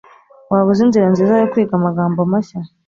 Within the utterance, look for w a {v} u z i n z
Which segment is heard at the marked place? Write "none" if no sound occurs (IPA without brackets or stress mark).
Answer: β